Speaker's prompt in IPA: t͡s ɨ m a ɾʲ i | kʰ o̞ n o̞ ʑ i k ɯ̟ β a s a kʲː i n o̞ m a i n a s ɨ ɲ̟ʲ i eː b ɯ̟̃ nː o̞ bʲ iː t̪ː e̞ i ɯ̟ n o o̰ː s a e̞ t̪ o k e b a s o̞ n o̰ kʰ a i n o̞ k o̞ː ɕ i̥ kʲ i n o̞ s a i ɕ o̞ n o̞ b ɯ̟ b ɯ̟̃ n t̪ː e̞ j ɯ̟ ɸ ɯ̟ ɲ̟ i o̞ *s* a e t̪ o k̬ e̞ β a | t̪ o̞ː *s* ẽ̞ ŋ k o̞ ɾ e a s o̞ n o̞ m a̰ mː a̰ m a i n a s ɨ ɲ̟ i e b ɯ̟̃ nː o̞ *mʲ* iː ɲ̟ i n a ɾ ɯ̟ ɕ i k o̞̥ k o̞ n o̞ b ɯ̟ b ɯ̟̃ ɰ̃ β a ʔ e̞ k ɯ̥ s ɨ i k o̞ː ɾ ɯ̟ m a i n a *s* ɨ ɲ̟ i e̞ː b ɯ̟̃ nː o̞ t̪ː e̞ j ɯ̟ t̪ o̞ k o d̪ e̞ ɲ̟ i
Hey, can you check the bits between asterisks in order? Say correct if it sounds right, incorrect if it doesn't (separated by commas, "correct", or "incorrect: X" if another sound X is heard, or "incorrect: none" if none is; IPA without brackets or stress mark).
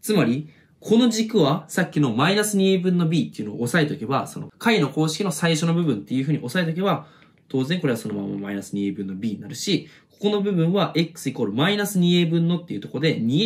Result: correct, incorrect: z, incorrect: bʲ, correct